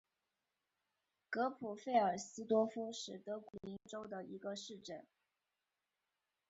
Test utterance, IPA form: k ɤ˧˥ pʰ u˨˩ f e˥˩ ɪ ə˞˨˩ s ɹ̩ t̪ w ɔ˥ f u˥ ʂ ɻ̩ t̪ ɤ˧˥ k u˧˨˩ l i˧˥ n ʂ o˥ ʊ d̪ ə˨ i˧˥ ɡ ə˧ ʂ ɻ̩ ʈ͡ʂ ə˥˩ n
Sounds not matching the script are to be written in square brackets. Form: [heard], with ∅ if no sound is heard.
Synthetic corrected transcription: k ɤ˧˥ pʰ u˨˩ f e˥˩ ɪ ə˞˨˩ s ɹ̩ t̪ w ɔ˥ f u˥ ʂ ɻ̩ t̪ ɤ˧˥ k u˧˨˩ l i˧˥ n [ʈ͡ʂ] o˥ ʊ d̪ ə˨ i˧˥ ɡ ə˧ ʂ ɻ̩ ʈ͡ʂ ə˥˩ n

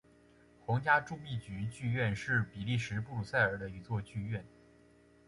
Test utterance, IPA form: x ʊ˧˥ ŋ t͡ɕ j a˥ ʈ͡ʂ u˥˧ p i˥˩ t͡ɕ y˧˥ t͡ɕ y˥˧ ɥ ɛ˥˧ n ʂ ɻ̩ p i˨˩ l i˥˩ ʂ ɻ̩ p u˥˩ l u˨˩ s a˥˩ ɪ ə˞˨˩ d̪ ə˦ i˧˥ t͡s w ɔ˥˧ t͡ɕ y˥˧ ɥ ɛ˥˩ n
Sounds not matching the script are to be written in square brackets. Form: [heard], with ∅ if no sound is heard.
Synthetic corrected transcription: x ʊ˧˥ ŋ t͡ɕ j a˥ ʈ͡ʂ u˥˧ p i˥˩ t͡ɕ y˧˥ t͡ɕ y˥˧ ɥ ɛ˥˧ n ʂ ɻ̩ p i˨˩ l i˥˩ ʂ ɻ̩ p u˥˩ l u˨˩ s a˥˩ ɪ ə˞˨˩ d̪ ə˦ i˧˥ t͡s w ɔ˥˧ t͡ɕ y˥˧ ɥ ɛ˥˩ n

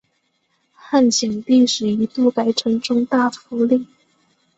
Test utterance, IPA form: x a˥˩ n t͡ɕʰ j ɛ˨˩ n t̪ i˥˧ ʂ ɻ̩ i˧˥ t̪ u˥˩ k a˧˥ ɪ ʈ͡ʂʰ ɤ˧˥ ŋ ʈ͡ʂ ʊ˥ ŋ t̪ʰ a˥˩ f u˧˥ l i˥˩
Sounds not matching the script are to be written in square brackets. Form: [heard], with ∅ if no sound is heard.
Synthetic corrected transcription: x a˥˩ n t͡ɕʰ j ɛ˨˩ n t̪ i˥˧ ʂ ɻ̩ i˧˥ t̪ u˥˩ k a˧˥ ɪ ʈ͡ʂʰ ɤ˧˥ ŋ ʈ͡ʂ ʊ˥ ŋ [t̪] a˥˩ f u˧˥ l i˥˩

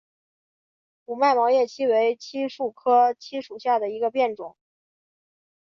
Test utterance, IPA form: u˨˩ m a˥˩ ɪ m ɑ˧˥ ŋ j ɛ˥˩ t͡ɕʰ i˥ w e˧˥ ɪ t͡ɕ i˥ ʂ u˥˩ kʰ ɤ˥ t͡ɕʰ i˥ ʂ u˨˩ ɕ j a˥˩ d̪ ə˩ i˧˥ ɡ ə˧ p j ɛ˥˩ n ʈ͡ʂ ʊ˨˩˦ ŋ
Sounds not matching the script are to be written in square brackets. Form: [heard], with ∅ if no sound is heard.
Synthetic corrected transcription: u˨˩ m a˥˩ ɪ m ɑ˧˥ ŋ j ɛ˥˩ t͡ɕʰ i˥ w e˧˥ ɪ [t͡ɕʰ] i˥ ʂ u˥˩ kʰ ɤ˥ t͡ɕʰ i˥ ʂ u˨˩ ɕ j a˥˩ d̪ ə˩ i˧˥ ɡ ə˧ p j ɛ˥˩ n ʈ͡ʂ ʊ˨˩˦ ŋ

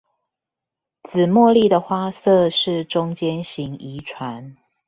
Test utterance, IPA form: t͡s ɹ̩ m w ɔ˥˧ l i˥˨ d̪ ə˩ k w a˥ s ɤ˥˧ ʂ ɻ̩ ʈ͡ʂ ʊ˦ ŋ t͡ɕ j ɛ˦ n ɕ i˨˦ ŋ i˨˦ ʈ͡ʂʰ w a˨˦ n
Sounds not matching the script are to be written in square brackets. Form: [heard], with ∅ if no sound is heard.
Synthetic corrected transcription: t͡s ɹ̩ m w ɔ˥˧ l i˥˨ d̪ ə˩ [x] w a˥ s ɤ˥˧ ʂ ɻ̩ ʈ͡ʂ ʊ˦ ŋ t͡ɕ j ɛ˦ n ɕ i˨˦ ŋ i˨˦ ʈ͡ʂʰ w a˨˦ n

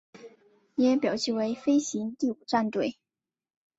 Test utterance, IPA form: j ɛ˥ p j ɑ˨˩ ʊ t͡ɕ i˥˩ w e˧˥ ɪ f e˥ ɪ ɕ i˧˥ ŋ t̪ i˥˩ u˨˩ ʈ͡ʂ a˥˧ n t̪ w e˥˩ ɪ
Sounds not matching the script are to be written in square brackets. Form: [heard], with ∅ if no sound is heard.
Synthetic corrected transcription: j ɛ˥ p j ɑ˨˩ ʊ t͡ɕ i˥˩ w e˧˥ ɪ f e˥ ɪ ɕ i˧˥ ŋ t̪ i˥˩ u˨˩ ʈ͡ʂ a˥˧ n t̪ w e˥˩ ɪ

